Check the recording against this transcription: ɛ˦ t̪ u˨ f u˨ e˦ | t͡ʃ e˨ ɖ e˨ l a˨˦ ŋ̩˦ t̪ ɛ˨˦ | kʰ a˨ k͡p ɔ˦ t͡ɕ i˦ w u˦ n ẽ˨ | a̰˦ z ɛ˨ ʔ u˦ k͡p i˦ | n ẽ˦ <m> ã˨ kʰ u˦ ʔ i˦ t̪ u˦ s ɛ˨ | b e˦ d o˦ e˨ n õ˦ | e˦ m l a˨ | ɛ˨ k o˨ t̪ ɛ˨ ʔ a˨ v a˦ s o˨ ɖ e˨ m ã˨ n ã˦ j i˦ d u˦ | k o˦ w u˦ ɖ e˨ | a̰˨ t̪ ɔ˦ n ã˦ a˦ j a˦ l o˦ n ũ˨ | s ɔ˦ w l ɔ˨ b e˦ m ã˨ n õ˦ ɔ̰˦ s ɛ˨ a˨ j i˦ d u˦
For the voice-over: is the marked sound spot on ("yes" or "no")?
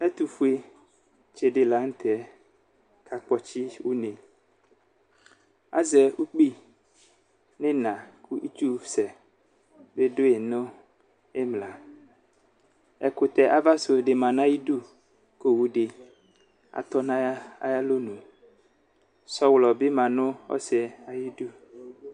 no